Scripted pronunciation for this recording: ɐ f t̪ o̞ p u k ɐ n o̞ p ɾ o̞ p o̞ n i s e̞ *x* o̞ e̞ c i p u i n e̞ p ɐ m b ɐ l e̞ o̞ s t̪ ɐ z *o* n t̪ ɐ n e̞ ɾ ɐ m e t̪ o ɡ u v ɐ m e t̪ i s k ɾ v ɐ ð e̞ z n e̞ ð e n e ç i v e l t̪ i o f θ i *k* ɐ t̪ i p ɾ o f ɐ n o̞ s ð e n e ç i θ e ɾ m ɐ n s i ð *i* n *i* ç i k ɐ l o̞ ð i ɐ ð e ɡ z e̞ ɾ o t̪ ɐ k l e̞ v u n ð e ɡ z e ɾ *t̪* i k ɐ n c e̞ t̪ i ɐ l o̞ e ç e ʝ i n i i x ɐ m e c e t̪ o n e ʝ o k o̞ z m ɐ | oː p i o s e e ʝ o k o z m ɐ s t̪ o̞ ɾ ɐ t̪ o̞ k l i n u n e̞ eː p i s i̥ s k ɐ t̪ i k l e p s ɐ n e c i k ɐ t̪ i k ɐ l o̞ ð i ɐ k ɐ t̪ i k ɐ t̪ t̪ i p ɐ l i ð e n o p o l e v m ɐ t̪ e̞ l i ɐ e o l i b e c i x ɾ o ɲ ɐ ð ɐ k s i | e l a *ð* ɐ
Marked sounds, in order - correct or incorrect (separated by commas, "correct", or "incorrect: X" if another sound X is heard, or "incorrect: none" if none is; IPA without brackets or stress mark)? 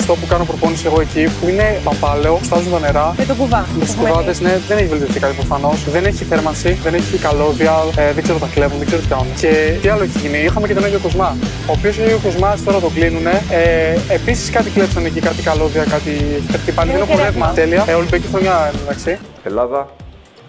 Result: incorrect: ɣ, incorrect: u, correct, incorrect: e, incorrect: e, correct, correct